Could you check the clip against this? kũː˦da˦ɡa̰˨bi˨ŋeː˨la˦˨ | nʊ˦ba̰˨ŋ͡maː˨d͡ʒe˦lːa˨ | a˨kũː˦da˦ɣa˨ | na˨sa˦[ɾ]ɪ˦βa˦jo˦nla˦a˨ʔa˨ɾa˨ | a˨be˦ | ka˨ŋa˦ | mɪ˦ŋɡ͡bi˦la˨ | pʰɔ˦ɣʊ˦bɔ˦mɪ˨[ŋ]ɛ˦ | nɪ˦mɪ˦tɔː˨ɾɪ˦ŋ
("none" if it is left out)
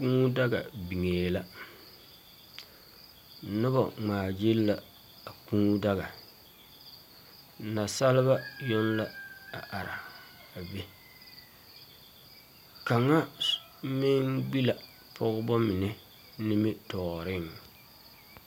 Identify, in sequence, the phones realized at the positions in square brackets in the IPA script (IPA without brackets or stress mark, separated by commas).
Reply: l, n